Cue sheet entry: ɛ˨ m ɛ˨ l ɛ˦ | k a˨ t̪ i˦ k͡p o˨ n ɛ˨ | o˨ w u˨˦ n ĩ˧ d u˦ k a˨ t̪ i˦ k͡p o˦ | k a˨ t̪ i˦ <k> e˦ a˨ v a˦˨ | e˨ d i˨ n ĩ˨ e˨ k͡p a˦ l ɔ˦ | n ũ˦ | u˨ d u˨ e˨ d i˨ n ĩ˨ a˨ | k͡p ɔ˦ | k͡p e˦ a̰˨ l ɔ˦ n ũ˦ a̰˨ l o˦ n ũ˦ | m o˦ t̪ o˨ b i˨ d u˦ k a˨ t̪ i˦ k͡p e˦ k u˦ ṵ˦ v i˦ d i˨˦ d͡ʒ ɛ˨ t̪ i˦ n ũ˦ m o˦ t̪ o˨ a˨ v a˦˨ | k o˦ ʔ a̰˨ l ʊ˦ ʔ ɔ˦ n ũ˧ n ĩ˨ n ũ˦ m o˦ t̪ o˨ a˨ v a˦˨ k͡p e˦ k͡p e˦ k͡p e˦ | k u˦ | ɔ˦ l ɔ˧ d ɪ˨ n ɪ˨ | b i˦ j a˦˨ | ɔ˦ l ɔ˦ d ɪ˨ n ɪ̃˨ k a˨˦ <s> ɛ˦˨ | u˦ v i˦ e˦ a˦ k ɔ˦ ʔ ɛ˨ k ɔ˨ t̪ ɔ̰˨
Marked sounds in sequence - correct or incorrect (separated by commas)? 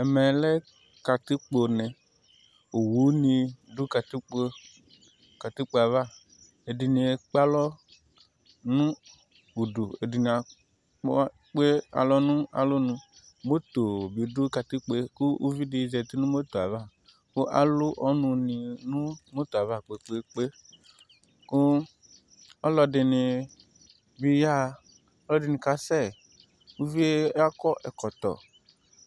incorrect, correct